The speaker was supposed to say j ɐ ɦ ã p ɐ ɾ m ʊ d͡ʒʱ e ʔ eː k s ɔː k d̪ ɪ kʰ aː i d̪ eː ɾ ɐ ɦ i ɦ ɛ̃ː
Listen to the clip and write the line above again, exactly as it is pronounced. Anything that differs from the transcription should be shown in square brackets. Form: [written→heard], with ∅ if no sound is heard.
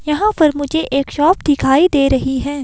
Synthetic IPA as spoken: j ɐ ɦ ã p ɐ ɾ m ʊ d͡ʒʱ e ʔ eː k [s→ʃ] ɔː [k→p] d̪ ɪ kʰ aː i d̪ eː ɾ ɐ ɦ i ɦ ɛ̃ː